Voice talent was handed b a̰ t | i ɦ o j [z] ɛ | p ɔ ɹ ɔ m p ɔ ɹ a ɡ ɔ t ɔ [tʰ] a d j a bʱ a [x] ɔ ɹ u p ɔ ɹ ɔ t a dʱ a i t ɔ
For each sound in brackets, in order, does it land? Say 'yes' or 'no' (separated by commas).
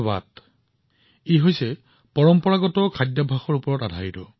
no, no, yes